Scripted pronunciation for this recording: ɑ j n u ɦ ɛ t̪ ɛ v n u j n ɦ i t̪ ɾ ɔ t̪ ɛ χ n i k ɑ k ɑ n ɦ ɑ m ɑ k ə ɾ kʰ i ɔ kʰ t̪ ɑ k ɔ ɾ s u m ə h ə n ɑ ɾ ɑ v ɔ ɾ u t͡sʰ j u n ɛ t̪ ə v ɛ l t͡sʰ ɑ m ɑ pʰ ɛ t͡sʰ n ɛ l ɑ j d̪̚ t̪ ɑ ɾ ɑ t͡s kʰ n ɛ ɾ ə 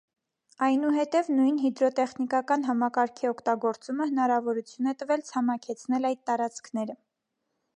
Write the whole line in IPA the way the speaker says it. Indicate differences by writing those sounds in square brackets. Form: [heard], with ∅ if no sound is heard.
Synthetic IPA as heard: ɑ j n u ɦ ɛ t̪ ɛ v n u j n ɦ i [d̪] ɾ ɔ t̪ ɛ χ n i k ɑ k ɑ n ɦ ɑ m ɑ k [ɑ] ɾ kʰ i ɔ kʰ t̪ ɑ [ɡ] ɔ ɾ [t͡s] u m ə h ə n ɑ ɾ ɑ v ɔ ɾ u t͡sʰ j u n ɛ t̪ ə v ɛ l t͡sʰ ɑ m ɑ [kʰ] ɛ t͡sʰ n ɛ l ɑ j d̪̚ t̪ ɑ ɾ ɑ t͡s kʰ n ɛ ɾ ə